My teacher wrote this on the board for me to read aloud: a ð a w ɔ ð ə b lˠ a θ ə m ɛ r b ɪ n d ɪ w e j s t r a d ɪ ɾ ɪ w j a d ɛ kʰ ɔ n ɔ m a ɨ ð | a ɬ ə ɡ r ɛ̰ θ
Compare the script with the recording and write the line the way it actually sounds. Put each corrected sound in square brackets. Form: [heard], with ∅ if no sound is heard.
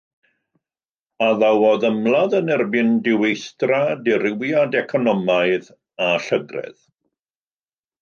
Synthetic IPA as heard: a ð a w ɔ ð ə [m] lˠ a [ð] ə [n] ɛ r b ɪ n d ɪ w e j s t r a d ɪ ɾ ɪ w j a d ɛ kʰ ɔ n ɔ m a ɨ ð | a ɬ ə ɡ r ɛ̰ [ð]